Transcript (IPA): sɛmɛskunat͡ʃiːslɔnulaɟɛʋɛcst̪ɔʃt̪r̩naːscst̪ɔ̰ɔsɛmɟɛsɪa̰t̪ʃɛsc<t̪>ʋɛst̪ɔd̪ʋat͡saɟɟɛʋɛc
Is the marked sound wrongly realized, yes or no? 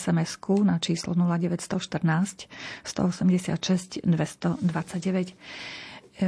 yes